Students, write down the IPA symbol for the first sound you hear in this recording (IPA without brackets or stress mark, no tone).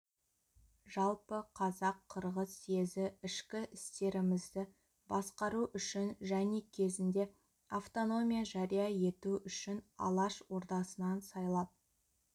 ʒ